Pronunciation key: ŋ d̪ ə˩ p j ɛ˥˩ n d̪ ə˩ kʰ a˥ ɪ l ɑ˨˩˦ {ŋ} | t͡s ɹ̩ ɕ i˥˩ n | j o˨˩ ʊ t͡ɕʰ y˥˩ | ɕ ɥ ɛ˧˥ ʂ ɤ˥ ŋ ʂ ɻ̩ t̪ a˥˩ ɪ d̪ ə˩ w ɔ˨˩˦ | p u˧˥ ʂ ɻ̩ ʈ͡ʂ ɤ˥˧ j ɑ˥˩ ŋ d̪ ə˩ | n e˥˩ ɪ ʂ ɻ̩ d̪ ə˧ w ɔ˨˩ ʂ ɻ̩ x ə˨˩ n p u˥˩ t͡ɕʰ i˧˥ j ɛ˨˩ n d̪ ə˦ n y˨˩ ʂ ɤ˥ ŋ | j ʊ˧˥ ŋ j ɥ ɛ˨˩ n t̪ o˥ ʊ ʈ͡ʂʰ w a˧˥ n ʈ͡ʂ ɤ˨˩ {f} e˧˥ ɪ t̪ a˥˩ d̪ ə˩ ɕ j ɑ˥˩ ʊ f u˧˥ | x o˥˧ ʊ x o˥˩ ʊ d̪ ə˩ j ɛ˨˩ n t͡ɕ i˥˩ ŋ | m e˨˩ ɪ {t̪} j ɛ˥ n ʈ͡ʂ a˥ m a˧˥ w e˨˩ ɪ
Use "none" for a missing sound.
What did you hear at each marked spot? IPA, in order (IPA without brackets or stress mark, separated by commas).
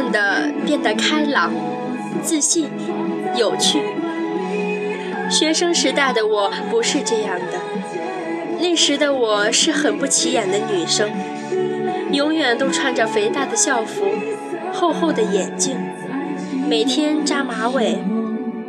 ŋ, f, t̪ʰ